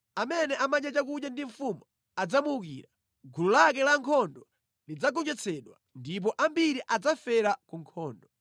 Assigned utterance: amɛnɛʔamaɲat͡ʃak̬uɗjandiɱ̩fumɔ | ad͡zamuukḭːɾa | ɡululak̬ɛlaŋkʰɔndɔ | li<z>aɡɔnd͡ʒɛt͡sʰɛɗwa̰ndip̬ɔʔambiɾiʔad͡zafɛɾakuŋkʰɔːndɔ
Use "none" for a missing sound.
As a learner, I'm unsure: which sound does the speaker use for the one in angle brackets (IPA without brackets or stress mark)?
d͡z